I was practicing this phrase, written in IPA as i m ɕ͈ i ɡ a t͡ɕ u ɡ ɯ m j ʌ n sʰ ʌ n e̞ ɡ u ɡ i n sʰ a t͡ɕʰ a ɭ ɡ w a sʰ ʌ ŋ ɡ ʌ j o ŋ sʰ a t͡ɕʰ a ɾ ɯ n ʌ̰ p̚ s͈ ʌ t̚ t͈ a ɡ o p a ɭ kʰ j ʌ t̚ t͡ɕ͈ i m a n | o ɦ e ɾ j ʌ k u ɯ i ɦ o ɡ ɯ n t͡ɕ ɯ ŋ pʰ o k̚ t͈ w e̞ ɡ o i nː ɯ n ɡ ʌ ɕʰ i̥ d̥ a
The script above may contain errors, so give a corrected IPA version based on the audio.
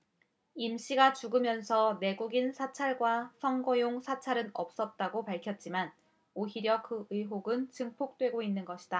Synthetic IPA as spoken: i m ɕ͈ i ɡ a t͡ɕ u ɡ ɯ m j ʌ n sʰ ʌ n e̞ ɡ u ɡ i n sʰ a t͡ɕʰ a ɭ ɡ w a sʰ ʌ ŋ ɡ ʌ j o ŋ sʰ a t͡ɕʰ a ɾ ɯ n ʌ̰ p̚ s͈ ʌ t̚ t͈ a ɡ o p a ɭ kʰ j ʌ t̚ t͡ɕ͈ i m a n | o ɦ i ɾ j ʌ k ɯ ɯ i ɦ o ɡ ɯ n t͡ɕ ɯ ŋ pʰ o k̚ t͈ w e̞ ɡ o i nː ɯ n ɡ ʌ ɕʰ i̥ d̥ a

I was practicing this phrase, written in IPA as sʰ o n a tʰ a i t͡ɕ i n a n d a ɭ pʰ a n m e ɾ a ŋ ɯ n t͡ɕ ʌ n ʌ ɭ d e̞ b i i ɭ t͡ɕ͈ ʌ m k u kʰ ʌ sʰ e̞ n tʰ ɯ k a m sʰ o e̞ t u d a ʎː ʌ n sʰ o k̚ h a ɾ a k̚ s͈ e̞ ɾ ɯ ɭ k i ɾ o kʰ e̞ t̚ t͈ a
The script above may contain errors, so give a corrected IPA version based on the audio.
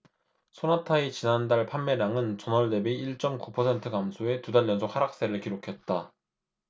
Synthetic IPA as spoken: sʰ o n a tʰ a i t͡ɕ i n a n d a ɭ pʰ a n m e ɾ a ŋ ɯ n t͡ɕ ʌ n ʌ ɭ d e̞ b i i ɭ t͡ɕ͈ ʌ m k u pʰ ʌ sʰ e̞ n tʰ ɯ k a m sʰ o e̞ t u d a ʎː ʌ n sʰ o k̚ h a ɾ a k̚ s͈ e̞ ɾ ɯ ɭ k i ɾ o kʰ e̞ t̚ t͈ a

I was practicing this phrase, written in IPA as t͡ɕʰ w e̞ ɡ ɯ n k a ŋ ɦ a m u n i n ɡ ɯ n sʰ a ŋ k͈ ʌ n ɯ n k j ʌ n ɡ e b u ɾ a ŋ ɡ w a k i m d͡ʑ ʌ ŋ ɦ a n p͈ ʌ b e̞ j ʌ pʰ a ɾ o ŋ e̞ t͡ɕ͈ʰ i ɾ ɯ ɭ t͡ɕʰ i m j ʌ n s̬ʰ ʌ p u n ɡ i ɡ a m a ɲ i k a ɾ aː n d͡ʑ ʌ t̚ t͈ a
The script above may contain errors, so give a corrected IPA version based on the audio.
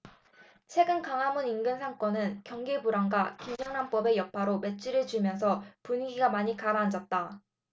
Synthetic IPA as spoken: t͡ɕʰ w e̞ ɡ ɯ n k a ŋ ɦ a m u n i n ɡ ɯ n sʰ a ŋ k͈ ʌ n ɯ n k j ʌ ŋ ɡ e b u ɾ a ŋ ɡ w a k i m d͡ʑ ʌ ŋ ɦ a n p͈ ʌ b e̞ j ʌ pʰ a ɾ o m e̞ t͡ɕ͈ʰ i ɾ ɯ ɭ t͡ɕ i m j ʌ n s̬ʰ ʌ p u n ɡ i ɡ a m a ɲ i k a ɾ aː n d͡ʑ ʌ t̚ t͈ a

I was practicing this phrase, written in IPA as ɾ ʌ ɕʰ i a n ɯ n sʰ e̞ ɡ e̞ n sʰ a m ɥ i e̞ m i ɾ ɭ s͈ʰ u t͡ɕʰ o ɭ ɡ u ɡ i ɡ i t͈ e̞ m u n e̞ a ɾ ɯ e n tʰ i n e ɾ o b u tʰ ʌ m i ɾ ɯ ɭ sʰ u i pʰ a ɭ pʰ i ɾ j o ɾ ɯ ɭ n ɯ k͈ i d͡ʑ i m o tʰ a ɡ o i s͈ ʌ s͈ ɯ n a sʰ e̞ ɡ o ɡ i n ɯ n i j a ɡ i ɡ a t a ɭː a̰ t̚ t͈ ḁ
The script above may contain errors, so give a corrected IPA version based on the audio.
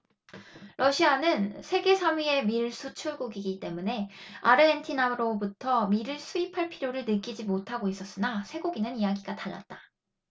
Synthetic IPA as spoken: ɾ ʌ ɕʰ i a n ɯ n sʰ e̞ ɡ e̞ sʰ a m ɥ i e̞ m i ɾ ɭ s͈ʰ u t͡ɕʰ u ɭ ɡ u ɡ i ɡ i t͈ e̞ m u n e̞ a ɾ ɯ e n tʰ i n a ɾ o b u tʰ ʌ m i ɾ ɯ ɭ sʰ u i pʰ a ɭ pʰ i ɾ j o ɾ ɯ ɭ n ɯ k͈ i d͡ʑ i m o tʰ a ɡ o i s͈ ʌ s͈ ɯ n a sʰ e̞ ɡ o ɡ i n ɯ n i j a ɡ i ɡ a t a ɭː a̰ t̚ t͈ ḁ

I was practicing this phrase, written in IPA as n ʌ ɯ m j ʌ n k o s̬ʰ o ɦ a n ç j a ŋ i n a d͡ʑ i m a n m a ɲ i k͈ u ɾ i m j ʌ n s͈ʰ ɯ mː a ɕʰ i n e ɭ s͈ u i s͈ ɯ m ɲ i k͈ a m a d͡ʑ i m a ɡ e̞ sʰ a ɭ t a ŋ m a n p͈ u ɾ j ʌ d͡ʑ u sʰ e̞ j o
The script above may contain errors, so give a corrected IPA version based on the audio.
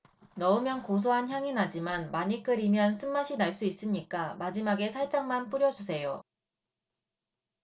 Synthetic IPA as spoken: n ʌ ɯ m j ʌ n k o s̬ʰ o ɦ a n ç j a ŋ i n a d͡ʑ i m a n m a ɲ i k͈ ɯ ɾ i m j ʌ n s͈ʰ ɯ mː a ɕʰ i n a ɭ s͈ u i s͈ ɯ m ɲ i k͈ a m a d͡ʑ i m a ɡ e̞ sʰ a ɭ t͡ɕ͈ a ŋ m a n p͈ u ɾ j ʌ d͡ʑ u sʰ e̞ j o

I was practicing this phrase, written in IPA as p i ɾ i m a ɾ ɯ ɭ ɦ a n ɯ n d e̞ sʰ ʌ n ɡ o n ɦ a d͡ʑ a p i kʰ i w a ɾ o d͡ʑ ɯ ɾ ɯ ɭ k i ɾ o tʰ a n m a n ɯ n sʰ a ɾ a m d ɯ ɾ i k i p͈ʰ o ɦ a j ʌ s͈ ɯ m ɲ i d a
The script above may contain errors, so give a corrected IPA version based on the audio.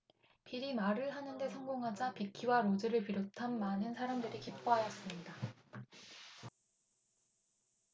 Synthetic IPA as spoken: p i ɾ i m a ɾ ɯ ɭ ɦ a n ɯ n d e̞ sʰ ʌ ŋ ɡ o ŋ ɦ a d͡ʑ a p i kʰ i w a ɾ o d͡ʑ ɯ ɾ ɯ ɭ p i ɾ o tʰ a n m a n ɯ n sʰ a ɾ a m d ɯ ɾ i k i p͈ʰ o ɦ a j ʌ s͈ ɯ m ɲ i d a

